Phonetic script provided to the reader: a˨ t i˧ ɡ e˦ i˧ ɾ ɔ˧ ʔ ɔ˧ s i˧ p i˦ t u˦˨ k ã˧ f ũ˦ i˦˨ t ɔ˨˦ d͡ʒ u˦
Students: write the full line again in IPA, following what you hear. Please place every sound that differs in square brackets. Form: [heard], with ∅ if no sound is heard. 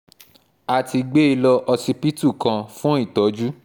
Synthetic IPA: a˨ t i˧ [ɡ͡b] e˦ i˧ [l] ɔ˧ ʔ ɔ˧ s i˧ p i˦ t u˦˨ k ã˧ f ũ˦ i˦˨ t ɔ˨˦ d͡ʒ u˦